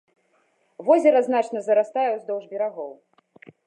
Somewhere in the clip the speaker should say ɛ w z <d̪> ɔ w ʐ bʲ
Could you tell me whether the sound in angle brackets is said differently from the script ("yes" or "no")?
no